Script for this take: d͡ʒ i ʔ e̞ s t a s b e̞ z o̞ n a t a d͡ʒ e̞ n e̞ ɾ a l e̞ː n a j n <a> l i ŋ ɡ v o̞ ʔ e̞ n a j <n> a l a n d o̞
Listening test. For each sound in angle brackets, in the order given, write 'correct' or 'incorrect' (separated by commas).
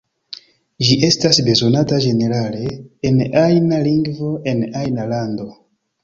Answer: correct, correct